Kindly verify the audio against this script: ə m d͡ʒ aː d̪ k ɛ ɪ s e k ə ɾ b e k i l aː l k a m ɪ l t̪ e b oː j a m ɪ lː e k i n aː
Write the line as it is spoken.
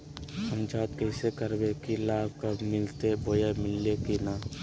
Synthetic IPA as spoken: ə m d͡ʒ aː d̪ k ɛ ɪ s e k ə ɾ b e k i l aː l k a m ɪ l t̪ e b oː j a m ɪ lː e k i n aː